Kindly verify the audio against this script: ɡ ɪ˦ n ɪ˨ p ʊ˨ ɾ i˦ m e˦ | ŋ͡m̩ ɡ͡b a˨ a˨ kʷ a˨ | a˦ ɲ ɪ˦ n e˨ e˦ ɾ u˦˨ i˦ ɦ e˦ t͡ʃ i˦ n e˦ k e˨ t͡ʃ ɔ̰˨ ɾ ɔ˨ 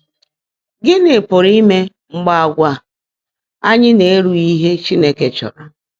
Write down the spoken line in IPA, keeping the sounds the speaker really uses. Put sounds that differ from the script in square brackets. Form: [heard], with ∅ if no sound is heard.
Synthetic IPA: ɡ ɪ˦ n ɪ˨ p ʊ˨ ɾ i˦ m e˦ | ŋ͡m̩ ɡ͡b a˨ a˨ [ɡʷ] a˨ | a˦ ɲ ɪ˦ n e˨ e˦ ɾ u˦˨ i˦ ɦ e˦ t͡ʃ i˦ n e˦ k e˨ t͡ʃ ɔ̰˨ ɾ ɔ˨